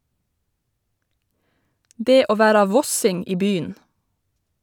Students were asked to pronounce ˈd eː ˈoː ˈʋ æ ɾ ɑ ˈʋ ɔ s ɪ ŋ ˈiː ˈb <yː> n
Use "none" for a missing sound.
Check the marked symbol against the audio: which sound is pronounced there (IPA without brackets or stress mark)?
yː